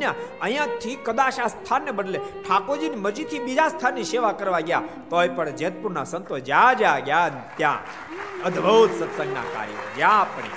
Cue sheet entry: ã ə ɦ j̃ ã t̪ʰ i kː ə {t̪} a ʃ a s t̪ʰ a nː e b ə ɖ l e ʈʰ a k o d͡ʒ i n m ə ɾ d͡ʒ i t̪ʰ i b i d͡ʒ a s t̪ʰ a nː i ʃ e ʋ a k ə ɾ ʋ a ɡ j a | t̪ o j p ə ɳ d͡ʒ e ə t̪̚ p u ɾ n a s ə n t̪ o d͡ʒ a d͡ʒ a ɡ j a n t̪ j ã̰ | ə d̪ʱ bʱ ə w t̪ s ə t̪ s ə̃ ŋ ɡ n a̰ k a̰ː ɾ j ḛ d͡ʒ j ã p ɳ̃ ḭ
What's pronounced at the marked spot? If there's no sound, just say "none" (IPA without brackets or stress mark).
d̪